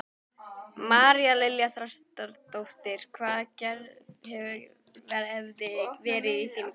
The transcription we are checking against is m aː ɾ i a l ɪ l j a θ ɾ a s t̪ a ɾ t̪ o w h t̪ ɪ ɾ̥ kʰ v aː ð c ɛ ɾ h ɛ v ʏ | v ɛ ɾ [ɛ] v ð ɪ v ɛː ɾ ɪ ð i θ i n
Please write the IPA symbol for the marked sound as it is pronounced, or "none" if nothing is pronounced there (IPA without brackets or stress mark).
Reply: ɛ